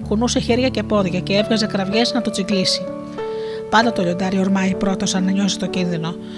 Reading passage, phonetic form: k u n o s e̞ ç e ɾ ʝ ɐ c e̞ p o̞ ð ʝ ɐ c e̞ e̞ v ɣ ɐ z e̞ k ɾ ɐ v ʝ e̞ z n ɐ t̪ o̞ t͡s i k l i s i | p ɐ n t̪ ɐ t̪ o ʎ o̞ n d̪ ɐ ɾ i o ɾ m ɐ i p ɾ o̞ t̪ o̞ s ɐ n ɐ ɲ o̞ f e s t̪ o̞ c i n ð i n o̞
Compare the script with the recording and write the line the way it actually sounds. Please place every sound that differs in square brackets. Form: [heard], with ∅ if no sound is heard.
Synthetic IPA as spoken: k u n [u] s e̞ ç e ɾ ʝ ɐ c e̞ p o̞ ð ʝ ɐ c e̞ e̞ v ɣ ɐ z e̞ k ɾ ɐ v ʝ e̞ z n ɐ t̪ o̞ t͡s i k l i s i | p ɐ n [d̪] ɐ t̪ o ʎ o̞ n d̪ ɐ ɾ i o ɾ m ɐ i p ɾ o̞ t̪ o̞ s ɐ n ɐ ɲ o̞ [s] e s t̪ o̞ c i n ð i n o̞